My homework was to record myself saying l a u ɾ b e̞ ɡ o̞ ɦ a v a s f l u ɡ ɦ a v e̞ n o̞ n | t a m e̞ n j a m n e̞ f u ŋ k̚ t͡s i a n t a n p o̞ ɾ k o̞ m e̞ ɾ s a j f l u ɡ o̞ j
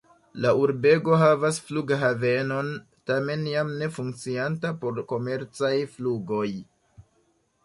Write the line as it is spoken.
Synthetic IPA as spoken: l a u ɾ b e̞ ɡ o̞ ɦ a v a s f l u ɡ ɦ a v e̞ n o̞ n | t a m e̞ n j a m n e̞ f u ŋ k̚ t͡s i a n t a p o̞ ɾ k o̞ m e̞ ɾ t͡s a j f l u ɡ o̞ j

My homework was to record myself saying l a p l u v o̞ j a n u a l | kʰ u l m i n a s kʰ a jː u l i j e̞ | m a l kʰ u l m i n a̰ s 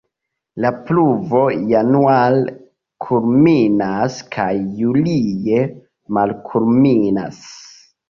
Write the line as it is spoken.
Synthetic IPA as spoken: l a p l u v o̞ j a n u a l | kʰ u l m i n a s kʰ a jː u l i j e̞ | m a l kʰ u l m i n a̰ s

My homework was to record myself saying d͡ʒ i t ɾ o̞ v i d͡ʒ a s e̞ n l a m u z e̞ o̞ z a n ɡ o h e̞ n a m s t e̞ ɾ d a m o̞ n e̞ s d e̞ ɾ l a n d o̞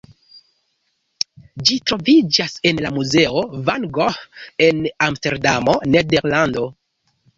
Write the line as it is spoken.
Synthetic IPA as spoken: d͡ʒ i t ɾ o̞ v i d͡ʒ a s e̞ n l a m u z e̞ o̞ v a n ɡ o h e̞ n a m s t e̞ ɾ d a m o̞ n e̞ d e̞ ɾ l a n d o̞

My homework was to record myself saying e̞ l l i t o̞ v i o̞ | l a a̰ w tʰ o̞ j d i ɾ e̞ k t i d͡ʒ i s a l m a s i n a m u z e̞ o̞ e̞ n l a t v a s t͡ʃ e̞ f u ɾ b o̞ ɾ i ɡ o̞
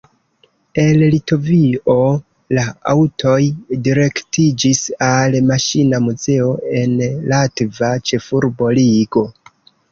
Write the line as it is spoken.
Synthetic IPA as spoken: e̞ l l i t o̞ v i o̞ | l a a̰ w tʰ o̞ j d i ɾ e̞ k t i d͡ʒ i s a l m a ʃ i n a m u z e̞ o̞ e̞ n l a t v a t͡ʃ e̞ f u ɾ b o̞ l i ɡ o̞

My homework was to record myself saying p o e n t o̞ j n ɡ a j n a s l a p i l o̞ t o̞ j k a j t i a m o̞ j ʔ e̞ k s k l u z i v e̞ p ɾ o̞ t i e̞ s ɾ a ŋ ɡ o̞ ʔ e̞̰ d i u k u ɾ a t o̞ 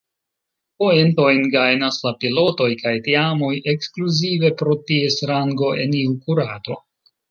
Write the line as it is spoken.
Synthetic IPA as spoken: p o e n t o̞ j n ɡ a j n a s l a p i l o̞ t o̞ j k a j t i a m o̞ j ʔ e̞ k s k l u z i v e̞ p ɾ o̞ t i e̞ s ɾ a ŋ ɡ o̞ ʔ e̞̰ n i u k u ɾ a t o̞

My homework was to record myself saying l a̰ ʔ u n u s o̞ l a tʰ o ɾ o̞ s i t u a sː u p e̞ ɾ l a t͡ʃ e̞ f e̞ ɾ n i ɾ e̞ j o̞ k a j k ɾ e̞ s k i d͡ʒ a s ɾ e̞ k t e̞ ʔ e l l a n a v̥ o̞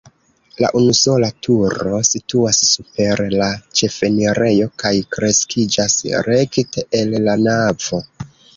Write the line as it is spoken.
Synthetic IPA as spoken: l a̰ ʔ u n u s o̞ l a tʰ u ɾ o̞ s i t u a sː u p e̞ ɾ l a t͡ʃ e̞ f e̞ n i ɾ e̞ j o̞ k a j k ɾ e̞ s k i d͡ʒ a s ɾ e̞ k t e̞ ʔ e l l a n a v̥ o̞

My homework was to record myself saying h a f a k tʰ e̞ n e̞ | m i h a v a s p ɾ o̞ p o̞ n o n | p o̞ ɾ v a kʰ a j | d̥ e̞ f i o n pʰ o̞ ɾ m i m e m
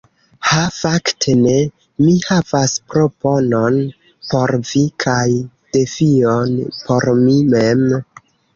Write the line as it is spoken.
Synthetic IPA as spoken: h a f a k tʰ e̞ n e̞ | m i h a v a s p ɾ o̞ p o̞ n o n | p o̞ ɾ v i kʰ a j | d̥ e̞ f i o n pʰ o̞ ɾ m i m e m

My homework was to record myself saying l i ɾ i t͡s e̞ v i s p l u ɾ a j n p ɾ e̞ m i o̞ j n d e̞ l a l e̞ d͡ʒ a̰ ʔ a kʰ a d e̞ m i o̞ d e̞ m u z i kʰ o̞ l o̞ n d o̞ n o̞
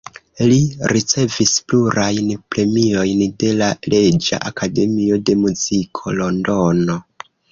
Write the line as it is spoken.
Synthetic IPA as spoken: l i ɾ i t͡s e̞ v i s p l u ɾ a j n p ɾ e̞ m i o̞ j n d e̞ l a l e̞ d͡ʒ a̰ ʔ a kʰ a d e̞ m i o̞ d e̞ m u z i kʰ o̞ l o̞ n d o̞ n o̞

